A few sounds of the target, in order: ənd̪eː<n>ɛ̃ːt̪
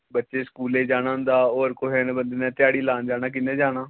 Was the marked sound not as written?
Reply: no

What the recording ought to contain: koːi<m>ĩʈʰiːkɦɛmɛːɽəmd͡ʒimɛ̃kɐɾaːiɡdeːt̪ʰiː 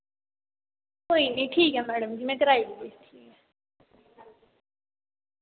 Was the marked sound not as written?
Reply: yes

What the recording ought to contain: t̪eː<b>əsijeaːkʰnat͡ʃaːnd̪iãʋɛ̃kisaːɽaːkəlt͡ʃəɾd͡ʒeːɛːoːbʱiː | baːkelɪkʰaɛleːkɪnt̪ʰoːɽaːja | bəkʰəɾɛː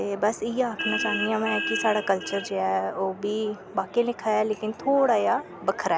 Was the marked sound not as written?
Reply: no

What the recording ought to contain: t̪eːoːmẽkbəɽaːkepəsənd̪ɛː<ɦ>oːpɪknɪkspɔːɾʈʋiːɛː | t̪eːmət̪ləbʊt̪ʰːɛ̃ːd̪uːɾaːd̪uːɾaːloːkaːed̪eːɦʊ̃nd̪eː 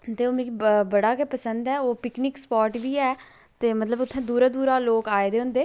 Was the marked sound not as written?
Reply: yes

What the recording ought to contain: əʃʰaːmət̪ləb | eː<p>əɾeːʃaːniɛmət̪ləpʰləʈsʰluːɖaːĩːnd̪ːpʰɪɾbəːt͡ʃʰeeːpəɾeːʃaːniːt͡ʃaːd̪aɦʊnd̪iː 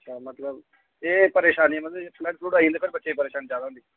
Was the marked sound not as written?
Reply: no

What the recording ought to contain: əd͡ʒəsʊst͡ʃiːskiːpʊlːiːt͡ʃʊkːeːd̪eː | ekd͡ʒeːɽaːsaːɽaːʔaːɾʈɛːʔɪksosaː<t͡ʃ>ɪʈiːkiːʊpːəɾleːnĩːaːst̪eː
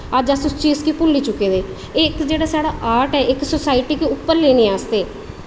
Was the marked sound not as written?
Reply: yes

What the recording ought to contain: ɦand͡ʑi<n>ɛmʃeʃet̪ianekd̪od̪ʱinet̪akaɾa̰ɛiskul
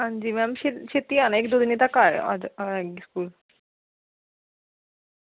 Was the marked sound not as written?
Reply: yes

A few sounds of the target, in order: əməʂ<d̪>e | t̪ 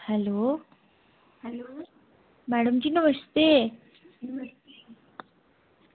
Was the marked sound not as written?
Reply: yes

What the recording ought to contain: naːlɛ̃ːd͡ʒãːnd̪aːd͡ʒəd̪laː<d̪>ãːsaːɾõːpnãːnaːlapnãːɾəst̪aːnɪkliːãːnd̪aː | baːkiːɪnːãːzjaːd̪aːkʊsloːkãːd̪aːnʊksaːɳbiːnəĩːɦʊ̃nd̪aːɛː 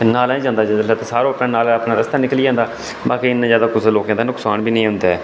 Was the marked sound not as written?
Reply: yes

